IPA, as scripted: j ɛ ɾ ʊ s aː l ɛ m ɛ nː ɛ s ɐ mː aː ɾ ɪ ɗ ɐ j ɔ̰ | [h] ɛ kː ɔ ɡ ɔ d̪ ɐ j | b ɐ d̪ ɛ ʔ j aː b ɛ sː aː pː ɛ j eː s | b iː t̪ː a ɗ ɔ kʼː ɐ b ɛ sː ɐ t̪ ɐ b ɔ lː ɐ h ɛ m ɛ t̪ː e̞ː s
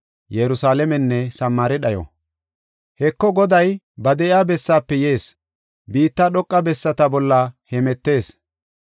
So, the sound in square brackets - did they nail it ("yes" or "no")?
yes